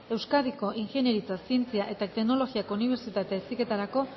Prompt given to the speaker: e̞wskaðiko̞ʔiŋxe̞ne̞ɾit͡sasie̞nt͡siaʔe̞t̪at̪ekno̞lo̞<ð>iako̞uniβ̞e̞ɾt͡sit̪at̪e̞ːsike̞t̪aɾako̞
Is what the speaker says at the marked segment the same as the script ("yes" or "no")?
no